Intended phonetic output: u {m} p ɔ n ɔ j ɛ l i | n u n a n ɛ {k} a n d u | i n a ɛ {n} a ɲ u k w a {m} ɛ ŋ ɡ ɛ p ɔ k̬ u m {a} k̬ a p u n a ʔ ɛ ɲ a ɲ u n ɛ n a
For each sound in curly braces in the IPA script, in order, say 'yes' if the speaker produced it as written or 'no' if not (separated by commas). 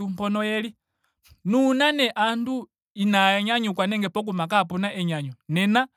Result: yes, no, no, no, yes